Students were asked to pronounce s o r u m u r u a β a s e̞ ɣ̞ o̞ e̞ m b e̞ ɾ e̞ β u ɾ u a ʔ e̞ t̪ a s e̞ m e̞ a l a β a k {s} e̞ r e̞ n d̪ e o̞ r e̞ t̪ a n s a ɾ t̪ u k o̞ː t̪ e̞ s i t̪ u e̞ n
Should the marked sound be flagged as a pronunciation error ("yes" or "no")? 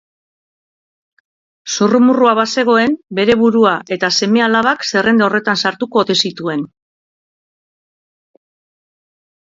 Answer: no